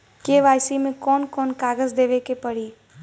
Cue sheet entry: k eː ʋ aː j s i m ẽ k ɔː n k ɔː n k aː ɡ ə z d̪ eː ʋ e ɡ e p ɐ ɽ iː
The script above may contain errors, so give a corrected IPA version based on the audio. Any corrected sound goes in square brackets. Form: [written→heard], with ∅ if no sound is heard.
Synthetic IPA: k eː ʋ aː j s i m ẽ k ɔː n k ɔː n k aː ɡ ə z d̪ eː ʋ e [ɡ→k] e p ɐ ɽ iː